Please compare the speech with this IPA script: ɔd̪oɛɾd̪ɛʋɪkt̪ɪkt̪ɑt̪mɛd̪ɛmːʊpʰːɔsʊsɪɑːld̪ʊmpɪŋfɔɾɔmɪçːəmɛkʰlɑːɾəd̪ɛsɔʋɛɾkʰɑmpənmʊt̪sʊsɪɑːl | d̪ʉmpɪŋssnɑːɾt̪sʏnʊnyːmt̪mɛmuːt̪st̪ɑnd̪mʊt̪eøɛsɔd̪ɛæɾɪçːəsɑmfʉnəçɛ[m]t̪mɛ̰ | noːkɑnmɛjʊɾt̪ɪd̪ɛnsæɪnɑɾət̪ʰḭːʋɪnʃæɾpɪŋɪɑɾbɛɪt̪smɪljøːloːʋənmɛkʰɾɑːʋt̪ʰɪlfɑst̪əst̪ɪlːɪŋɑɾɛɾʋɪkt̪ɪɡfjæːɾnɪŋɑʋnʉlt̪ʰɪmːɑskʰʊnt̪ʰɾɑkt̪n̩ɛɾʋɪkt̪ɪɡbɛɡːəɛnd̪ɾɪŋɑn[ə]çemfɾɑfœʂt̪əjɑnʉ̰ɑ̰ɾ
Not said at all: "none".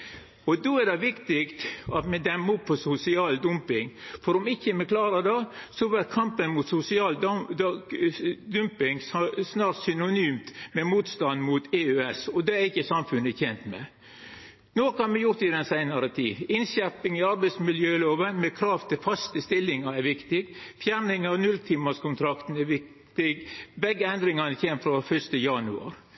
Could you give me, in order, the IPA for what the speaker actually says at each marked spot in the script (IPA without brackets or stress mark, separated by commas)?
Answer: n, ə